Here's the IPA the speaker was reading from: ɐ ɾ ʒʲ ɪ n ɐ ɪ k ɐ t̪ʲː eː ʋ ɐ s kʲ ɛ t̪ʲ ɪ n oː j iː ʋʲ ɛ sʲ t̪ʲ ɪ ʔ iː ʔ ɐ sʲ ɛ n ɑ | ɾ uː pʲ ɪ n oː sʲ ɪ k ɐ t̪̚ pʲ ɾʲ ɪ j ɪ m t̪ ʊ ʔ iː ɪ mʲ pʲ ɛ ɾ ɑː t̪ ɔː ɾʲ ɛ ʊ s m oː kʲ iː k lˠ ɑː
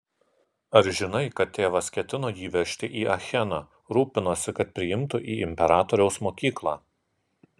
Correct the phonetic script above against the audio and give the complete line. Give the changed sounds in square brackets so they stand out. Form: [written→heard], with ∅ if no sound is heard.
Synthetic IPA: ɐ ɾ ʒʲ ɪ n ɐ ɪ k ɐ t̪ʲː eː ʋ ɐ s kʲ ɛ t̪ʲ ɪ n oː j iː ʋʲ ɛ [sʲ→ʃʲ] t̪ʲ ɪ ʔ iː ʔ ɐ [sʲ→xʲ] ɛ n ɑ | ɾ uː pʲ ɪ n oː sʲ ɪ k ɐ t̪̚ pʲ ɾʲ ɪ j ɪ m t̪ ʊ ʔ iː ɪ mʲ pʲ ɛ ɾ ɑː t̪ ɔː ɾʲ ɛ ʊ s m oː kʲ iː k lˠ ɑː